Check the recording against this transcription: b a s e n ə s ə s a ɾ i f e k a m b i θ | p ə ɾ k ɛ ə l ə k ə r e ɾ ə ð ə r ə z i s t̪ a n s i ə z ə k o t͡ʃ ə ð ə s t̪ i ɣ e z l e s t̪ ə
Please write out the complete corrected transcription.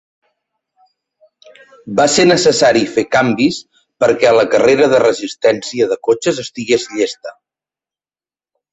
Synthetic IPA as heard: b a s e n ə s ə s a ɾ i f e k a m b i s | p ə ɾ k ɛ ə l ə k ə r e ɾ ə ð ə r ə z i s t̪ ɛ n s i ə ð ə k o t͡ʃ ə z ə s t̪ i ɣ e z ʎ e s t̪ ə